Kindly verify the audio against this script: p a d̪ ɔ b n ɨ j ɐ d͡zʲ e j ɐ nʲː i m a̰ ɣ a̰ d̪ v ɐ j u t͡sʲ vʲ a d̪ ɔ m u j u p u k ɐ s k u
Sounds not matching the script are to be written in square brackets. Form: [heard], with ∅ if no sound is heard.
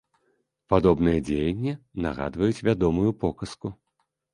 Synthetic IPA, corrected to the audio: p a d̪ ɔ b n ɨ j ɐ d͡zʲ e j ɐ nʲː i [n] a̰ ɣ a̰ d̪ v ɐ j u t͡sʲ vʲ a d̪ ɔ m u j u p [ɔ] k ɐ s k u